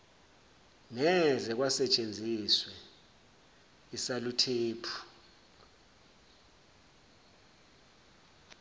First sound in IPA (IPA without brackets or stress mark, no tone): n